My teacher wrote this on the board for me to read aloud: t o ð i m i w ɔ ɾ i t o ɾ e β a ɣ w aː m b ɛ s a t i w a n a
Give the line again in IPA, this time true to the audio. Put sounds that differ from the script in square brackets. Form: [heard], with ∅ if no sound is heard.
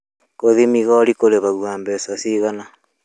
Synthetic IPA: [k] o ð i m i [ɣ] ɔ ɾ i [k] o ɾ e β a ɣ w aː m b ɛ s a [s] i [ɣ] a n a

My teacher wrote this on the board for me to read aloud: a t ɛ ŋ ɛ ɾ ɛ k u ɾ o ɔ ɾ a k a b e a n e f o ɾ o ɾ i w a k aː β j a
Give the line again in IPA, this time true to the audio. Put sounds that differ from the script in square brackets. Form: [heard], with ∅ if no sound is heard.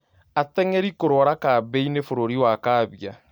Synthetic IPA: a t ɛ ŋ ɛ ɾ [i] k [o] ɾ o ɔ ɾ a k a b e [i] n e f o ɾ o ɾ i w a k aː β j a

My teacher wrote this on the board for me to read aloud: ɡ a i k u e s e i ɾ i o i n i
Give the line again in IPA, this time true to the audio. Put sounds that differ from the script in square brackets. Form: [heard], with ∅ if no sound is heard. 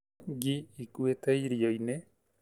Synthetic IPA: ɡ [i] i k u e [t] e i ɾ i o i n [e]

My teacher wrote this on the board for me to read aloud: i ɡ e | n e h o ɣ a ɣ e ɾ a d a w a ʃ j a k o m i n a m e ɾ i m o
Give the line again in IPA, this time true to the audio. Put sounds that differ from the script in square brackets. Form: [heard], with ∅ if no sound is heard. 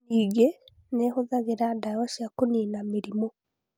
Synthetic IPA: i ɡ e | n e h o [ð] a ɣ e ɾ a d a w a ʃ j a k o [n] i n a m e ɾ i m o

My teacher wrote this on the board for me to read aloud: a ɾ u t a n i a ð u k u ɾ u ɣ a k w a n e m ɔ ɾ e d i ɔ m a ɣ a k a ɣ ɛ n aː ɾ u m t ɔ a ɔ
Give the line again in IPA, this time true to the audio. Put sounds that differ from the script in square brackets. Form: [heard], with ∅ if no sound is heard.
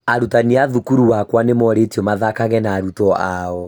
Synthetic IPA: a ɾ u t a n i a ð u k u ɾ u [w] a k w a n e m ɔ ɾ e [t] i ɔ m a [ð] a k a ɣ ɛ n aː ɾ u [∅] t ɔ a ɔ

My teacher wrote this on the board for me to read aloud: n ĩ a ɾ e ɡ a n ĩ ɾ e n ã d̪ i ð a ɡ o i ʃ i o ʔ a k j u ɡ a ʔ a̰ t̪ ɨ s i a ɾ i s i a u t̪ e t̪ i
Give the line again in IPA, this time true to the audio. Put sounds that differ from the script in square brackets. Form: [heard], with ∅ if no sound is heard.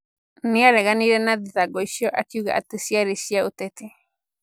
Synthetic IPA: n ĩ a ɾ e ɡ a n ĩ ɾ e n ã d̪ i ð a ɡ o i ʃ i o ʔ a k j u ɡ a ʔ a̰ t̪ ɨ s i a ɾ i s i a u t̪ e t̪ i

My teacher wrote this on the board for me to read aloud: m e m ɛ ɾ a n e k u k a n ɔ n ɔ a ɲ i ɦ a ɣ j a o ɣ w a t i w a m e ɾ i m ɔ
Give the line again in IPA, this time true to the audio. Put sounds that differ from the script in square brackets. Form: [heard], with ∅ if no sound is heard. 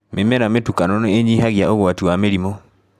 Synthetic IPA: m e m ɛ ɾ a [m] e [t] u k a n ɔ n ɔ [e] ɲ i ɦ a ɣ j a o ɣ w a t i w a m e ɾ i m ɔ

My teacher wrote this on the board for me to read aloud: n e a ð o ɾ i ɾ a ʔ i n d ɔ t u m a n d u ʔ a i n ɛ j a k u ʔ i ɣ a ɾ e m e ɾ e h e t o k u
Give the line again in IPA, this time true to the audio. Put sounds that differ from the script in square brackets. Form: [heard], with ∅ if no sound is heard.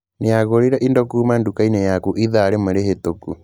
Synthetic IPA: n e a [ɣ] o ɾ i ɾ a ʔ i n d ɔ [k] u m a n d u [k] a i n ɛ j a k u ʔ i [ð] a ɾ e m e ɾ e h e t o k u

